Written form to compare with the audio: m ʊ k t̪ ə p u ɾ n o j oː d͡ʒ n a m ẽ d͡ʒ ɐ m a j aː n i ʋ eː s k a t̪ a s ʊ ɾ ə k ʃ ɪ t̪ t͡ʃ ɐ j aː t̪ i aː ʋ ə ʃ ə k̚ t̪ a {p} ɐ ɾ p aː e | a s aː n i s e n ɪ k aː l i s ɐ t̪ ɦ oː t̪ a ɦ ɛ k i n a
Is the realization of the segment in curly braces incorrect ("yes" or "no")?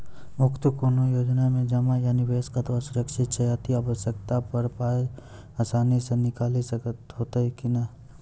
no